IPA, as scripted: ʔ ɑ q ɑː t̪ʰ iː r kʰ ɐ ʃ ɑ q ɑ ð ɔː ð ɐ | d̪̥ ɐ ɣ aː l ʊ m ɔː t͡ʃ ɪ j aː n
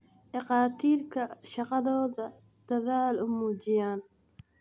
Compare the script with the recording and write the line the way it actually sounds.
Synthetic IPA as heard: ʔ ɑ q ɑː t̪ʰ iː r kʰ ɐ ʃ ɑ q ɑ ð ɔː ð ɐ | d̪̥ ɐ ð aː l ʊ m uː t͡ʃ ɪ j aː n